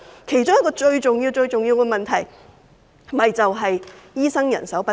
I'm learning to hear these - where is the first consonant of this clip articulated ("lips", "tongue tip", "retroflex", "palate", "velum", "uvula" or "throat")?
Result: velum